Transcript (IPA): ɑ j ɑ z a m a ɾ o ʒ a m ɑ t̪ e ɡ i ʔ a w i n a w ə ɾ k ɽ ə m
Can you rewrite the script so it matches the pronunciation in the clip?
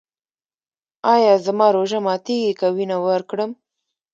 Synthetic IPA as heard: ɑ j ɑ z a m ɑ ɾ o ʒ a m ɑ t̪ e ɡ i k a w i n a w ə ɾ k ɽ ə m